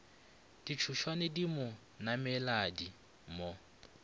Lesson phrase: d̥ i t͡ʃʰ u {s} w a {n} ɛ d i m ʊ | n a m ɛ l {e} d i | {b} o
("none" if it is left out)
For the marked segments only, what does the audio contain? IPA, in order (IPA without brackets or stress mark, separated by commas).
ʃ, n, a, m